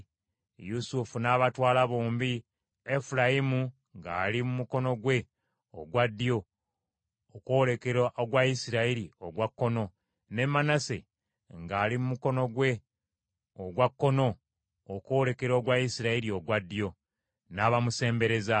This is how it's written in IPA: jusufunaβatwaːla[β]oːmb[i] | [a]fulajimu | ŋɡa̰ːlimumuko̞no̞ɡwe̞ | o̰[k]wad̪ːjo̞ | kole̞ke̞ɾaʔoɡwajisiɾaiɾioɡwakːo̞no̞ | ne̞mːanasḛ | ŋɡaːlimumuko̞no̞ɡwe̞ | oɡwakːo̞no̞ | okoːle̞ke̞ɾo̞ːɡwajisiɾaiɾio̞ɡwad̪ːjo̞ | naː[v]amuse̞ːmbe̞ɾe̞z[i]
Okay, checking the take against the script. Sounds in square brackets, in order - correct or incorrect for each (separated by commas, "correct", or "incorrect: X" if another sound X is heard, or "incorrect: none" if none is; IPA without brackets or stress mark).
correct, correct, incorrect: e, incorrect: ɡ, incorrect: β, incorrect: a